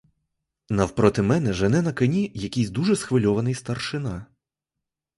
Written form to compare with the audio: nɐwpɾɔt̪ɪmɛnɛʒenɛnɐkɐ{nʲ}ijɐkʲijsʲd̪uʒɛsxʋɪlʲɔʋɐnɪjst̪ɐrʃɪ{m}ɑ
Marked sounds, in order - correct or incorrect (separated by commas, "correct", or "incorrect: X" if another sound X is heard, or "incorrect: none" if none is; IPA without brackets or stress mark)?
correct, incorrect: n